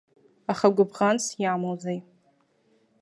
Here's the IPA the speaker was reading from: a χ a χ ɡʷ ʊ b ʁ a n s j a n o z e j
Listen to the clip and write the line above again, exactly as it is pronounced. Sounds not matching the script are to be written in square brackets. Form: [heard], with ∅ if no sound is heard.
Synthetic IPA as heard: a χ a [∅] ɡʷ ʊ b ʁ a n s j a [m] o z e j